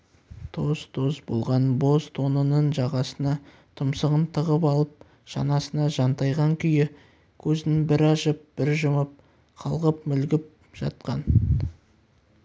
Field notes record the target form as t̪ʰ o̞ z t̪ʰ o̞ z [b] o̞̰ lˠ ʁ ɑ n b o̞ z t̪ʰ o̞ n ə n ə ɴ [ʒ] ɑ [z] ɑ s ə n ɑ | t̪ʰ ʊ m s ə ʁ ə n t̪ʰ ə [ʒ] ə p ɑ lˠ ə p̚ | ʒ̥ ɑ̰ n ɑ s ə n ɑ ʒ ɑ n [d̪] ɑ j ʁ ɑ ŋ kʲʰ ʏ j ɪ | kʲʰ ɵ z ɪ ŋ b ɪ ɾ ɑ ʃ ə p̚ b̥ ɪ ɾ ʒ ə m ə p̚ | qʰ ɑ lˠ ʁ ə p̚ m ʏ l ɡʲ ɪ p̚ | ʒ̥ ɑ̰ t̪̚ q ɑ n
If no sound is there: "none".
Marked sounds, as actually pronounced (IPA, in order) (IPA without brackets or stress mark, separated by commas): b, ʒ, ʁ, ʁ, t̪